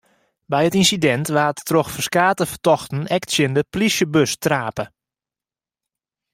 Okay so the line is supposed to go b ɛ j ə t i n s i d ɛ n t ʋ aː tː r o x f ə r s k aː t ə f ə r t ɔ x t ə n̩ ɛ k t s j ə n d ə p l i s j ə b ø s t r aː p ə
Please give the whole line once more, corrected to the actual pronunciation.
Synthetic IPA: b ɛ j ə t i n s i d ɛ n t ʋ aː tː r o x f ə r s k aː t ə f ə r t ɔ x t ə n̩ ɛ k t s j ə n d ə p l i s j ə b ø s t r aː p ə